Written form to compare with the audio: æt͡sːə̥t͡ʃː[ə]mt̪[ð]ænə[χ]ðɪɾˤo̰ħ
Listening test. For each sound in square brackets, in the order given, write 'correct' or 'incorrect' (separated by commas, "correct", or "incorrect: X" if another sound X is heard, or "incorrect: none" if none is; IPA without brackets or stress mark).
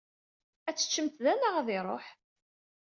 correct, correct, incorrect: ʁ